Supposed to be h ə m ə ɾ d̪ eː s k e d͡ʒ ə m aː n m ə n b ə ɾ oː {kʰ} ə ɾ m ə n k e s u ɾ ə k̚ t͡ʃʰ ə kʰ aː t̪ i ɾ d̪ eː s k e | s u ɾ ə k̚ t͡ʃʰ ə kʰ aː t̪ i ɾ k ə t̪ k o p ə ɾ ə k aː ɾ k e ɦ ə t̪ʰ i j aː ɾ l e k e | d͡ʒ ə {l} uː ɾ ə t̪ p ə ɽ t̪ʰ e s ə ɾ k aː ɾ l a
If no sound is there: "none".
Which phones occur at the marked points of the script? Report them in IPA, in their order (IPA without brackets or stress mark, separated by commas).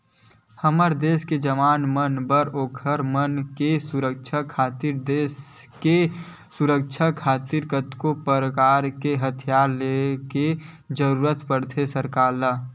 kʰ, ɾ